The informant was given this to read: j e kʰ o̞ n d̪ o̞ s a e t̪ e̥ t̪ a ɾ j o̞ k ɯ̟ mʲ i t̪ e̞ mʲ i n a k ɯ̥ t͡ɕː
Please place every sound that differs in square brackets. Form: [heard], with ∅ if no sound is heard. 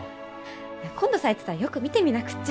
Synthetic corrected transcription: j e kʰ [õ̞] n d̪ o̞ s a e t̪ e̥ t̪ a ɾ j o̞ k ɯ̟ mʲ i t̪ e̞ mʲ i n a k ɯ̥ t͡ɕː